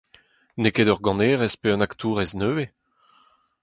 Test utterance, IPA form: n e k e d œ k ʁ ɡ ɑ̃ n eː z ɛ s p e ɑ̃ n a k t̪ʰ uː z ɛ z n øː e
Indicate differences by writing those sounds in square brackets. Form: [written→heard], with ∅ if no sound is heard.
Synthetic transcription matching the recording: n e k e d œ [k→∅] ʁ ɡ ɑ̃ n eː [z→ʁ] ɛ s p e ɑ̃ n a k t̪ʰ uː [z→ʁ] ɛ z n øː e